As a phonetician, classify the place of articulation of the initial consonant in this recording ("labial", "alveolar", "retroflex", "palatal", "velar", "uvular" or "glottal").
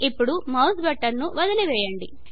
labial